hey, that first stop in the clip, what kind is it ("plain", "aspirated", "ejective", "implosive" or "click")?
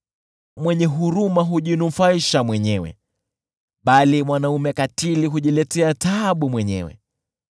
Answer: implosive